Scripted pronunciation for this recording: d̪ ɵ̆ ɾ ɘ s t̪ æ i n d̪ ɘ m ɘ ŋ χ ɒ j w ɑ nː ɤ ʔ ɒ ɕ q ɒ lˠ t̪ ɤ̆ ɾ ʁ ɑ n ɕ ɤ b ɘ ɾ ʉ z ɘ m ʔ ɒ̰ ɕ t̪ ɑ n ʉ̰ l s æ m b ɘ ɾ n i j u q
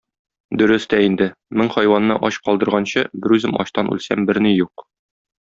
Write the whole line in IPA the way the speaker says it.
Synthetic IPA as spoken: d̪ ɵ̆ ɾ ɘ s t̪ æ i n d̪ ɘ m ɘ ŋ χ ɒ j w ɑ nː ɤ ʔ ɒ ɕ q ɒ lˠ d̪ ɤ̆ ɾ ʁ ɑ n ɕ ɤ b ɘ ɾ ʉ z ɘ m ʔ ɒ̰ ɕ t̪ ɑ n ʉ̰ l s æ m b ɘ ɾ n i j u q